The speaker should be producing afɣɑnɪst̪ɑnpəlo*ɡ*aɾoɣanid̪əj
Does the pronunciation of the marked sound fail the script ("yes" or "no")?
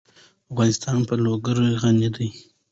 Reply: no